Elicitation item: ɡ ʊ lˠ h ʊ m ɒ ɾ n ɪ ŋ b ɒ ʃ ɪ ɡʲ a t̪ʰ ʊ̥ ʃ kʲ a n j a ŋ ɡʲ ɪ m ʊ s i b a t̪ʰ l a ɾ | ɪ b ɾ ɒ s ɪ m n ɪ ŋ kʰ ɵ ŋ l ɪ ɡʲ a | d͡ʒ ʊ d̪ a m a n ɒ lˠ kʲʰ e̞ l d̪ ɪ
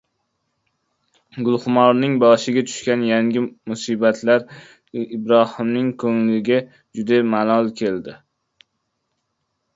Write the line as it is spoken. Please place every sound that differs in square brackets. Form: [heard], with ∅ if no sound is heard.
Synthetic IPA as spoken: ɡ ʊ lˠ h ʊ m ɒ ɾ n ɪ ŋ b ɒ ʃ ɪ ɡʲ a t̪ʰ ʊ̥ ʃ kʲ a n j a ŋ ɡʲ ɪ m ʊ s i b a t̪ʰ l a ɾ | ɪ b ɾ ɒ [h] ɪ m n ɪ ŋ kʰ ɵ ŋ l ɪ ɡʲ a | d͡ʒ ʊ d̪ a m a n ɒ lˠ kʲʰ e̞ l d̪ ɪ